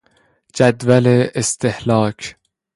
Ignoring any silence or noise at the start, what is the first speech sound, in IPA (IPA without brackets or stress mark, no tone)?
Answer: d͡ʒ